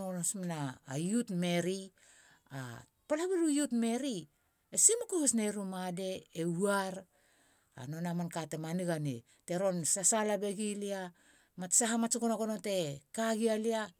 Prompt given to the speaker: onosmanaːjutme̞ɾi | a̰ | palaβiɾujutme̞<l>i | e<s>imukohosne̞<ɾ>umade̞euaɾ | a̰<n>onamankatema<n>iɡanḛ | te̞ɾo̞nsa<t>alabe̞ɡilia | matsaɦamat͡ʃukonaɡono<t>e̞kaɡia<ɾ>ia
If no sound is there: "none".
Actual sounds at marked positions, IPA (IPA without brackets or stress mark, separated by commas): ɾ, s, ɾ, n, n, s, t, l